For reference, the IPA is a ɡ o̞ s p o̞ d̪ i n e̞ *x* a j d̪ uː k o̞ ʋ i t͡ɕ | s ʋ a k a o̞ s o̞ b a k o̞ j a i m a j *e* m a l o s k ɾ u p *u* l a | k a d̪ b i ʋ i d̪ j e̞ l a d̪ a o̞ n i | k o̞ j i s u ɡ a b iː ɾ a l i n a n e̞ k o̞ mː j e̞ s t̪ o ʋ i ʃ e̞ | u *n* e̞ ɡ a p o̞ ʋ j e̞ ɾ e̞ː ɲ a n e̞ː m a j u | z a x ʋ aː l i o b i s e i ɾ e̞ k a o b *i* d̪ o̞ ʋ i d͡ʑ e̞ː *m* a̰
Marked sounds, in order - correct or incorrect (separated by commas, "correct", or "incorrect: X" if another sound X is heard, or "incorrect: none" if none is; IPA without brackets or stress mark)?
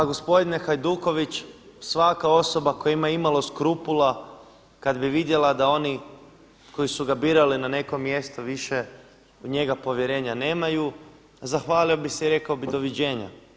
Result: correct, incorrect: i, correct, incorrect: ɲ, correct, incorrect: ɲ